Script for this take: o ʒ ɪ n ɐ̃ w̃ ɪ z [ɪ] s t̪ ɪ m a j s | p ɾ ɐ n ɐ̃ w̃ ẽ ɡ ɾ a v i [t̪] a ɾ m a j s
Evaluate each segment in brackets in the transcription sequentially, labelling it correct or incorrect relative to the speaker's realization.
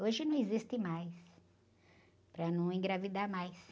incorrect, incorrect

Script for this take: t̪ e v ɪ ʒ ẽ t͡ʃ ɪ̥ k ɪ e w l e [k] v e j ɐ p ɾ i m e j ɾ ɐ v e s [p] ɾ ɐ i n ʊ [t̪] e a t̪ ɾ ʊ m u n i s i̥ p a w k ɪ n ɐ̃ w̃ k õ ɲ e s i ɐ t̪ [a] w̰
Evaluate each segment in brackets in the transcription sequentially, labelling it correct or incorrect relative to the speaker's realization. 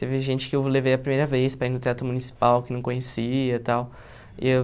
incorrect, correct, correct, correct

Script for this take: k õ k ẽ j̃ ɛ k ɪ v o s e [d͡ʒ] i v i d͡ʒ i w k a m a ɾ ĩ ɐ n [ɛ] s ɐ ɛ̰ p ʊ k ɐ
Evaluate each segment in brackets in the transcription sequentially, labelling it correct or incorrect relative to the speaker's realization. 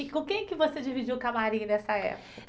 correct, correct

